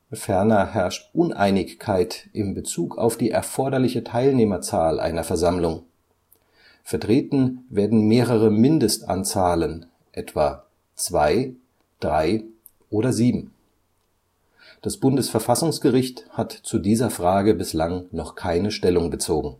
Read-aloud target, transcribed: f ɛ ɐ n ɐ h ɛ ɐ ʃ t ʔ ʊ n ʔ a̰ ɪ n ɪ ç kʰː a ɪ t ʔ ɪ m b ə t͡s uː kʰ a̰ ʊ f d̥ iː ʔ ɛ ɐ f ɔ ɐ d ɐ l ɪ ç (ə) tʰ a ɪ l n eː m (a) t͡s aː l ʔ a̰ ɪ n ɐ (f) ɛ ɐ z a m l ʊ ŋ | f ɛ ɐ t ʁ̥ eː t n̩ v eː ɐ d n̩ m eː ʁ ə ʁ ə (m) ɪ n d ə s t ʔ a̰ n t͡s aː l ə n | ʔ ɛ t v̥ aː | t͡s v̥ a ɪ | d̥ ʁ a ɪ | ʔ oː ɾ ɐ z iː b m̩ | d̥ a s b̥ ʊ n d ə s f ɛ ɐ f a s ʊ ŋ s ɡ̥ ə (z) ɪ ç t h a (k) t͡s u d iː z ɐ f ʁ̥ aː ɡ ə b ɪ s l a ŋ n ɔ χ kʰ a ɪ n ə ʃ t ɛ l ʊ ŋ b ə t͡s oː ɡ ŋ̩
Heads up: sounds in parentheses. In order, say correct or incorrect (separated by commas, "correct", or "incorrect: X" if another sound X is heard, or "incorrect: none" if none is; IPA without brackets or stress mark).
correct, incorrect: ɐ, correct, correct, incorrect: ʁ, incorrect: t